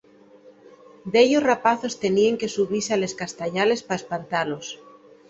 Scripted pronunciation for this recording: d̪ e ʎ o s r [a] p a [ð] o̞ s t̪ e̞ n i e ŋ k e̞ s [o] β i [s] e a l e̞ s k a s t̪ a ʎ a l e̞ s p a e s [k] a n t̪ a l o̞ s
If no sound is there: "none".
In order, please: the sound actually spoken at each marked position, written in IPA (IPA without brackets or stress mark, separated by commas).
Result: a, θ, u, s, p